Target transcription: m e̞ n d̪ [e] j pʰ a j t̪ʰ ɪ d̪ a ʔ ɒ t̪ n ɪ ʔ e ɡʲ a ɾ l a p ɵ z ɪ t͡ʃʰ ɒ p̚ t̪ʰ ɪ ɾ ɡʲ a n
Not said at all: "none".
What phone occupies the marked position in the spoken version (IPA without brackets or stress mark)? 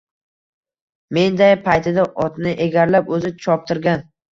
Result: a